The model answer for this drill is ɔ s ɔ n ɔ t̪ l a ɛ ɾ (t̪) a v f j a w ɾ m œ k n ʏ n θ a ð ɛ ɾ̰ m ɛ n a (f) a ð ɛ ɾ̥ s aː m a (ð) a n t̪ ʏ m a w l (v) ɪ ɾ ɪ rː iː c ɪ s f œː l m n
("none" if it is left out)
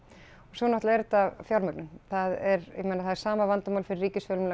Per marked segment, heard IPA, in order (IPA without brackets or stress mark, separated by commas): t̪, θ, v, f